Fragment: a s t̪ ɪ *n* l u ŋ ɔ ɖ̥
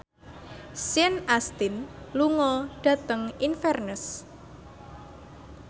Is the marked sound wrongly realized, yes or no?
no